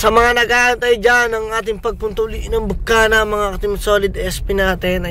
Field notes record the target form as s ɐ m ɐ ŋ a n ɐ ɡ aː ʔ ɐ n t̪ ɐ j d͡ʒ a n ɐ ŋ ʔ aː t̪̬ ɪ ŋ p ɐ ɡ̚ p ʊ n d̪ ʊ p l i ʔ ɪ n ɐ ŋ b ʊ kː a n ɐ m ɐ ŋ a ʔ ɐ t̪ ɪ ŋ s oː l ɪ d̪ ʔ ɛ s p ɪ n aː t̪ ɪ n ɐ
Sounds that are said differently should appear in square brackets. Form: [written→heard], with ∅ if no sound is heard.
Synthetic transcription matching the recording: s ɐ m ɐ ŋ a n ɐ ɡ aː ʔ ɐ n t̪ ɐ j d͡ʒ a n ɐ ŋ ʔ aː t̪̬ ɪ ŋ p ɐ ɡ̚ p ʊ n [d̪→t̪] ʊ [p→∅] l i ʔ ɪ n ɐ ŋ b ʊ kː a n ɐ m ɐ ŋ a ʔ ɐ t̪ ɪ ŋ s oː l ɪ d̪ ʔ ɛ s p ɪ n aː t̪ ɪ n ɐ